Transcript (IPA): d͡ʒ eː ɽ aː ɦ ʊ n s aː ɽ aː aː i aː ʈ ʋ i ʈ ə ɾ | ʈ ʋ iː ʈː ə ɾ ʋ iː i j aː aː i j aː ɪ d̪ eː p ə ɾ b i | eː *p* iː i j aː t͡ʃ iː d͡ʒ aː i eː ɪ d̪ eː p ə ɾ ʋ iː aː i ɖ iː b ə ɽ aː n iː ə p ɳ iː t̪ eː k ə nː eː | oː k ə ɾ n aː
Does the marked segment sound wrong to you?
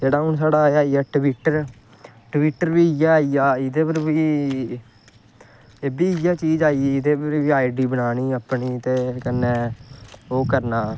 yes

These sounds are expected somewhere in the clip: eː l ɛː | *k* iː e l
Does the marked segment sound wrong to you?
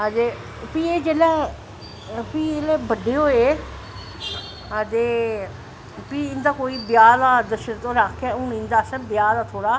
yes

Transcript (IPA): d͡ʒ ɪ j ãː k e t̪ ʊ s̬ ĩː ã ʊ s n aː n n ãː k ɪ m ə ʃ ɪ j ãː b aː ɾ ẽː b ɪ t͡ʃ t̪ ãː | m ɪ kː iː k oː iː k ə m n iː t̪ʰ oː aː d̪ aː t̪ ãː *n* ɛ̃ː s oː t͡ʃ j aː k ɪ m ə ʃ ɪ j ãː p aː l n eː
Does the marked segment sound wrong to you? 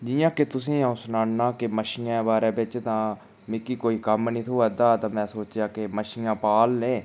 yes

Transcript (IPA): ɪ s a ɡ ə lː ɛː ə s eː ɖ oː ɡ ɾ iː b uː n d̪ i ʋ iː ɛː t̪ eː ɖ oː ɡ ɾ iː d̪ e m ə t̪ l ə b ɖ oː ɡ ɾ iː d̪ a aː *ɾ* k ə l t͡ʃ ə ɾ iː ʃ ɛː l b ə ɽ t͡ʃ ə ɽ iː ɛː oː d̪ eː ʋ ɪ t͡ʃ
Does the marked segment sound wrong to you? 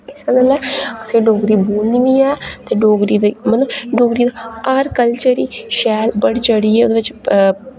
no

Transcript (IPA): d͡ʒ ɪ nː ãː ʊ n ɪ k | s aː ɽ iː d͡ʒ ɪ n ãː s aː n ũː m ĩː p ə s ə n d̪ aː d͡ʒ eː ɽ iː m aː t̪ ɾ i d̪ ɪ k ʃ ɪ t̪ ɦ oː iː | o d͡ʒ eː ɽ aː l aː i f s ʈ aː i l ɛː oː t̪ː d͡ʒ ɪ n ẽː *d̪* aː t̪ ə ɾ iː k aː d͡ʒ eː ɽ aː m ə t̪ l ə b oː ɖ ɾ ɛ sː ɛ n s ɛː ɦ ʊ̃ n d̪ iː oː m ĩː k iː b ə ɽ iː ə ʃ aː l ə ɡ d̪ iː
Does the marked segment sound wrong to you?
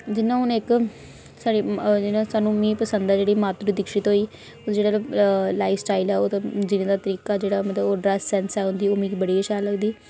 no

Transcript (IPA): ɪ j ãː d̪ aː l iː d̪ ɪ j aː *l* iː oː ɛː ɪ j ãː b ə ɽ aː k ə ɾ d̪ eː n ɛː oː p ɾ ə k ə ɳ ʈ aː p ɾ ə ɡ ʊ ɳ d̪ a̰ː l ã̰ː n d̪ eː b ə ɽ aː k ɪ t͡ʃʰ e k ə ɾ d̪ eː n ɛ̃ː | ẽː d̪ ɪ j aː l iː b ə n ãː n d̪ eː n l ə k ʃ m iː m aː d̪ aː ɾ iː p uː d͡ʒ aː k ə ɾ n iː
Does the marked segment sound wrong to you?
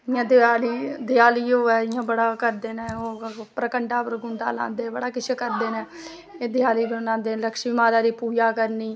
no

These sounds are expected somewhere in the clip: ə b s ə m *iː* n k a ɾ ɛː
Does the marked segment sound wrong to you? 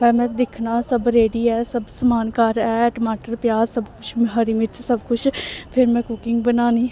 yes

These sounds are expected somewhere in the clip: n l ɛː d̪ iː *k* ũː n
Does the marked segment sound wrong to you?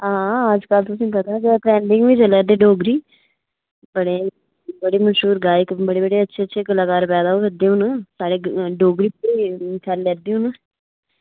yes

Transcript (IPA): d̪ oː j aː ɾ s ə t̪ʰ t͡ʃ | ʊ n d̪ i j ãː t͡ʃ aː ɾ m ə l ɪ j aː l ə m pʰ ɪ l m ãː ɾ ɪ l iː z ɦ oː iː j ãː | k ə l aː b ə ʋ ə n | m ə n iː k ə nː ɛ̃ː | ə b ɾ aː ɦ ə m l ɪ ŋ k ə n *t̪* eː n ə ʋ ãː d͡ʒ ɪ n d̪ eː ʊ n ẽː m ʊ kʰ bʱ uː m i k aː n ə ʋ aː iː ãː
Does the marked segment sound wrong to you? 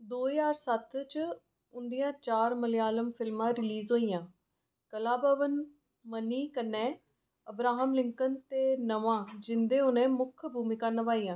no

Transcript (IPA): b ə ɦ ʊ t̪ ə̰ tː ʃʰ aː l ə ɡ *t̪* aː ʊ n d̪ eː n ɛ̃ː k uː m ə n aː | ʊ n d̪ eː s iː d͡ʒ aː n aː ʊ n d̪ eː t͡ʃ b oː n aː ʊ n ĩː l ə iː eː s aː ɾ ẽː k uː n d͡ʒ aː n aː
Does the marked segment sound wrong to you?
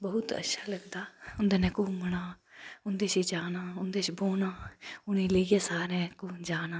yes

